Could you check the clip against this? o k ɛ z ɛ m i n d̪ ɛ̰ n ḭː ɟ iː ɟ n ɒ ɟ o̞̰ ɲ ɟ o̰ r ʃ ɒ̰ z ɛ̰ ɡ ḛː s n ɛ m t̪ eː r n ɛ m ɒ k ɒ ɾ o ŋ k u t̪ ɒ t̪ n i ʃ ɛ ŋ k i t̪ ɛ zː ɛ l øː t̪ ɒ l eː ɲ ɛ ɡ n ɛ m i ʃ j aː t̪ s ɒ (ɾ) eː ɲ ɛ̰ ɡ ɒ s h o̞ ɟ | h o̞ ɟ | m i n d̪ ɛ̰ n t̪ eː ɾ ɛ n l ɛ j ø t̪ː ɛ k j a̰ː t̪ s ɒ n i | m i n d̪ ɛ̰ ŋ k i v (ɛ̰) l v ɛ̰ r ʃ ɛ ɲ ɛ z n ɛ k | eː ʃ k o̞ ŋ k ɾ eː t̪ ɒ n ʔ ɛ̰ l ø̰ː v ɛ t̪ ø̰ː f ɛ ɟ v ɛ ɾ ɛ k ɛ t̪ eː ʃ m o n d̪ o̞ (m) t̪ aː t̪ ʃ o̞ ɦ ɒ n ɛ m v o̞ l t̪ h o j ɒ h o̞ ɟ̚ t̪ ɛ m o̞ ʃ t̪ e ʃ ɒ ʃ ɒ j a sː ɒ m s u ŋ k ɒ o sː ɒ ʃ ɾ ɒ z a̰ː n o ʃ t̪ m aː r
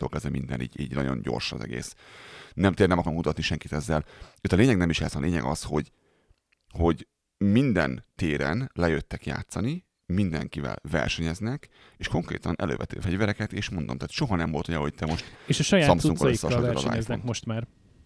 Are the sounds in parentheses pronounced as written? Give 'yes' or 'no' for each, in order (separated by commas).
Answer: no, yes, yes